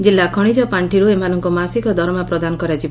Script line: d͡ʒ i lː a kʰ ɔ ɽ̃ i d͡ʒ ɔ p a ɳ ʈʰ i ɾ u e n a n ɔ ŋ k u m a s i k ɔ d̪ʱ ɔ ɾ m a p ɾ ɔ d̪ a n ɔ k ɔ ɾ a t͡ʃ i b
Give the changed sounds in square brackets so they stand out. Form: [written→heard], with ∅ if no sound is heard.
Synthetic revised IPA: d͡ʒ i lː a kʰ ɔ ɽ̃ i d͡ʒ ɔ p a ɳ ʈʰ i ɾ u e [n→m] a n ɔ ŋ k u m a s i k ɔ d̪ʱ ɔ ɾ m a p ɾ ɔ d̪ a n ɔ k ɔ ɾ a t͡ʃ i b